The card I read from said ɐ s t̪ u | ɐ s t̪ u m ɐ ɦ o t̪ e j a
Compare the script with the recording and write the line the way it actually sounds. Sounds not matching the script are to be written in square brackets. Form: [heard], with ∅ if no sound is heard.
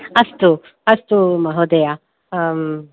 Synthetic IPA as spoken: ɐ s t̪ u | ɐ s t̪ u m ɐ ɦ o [d̪] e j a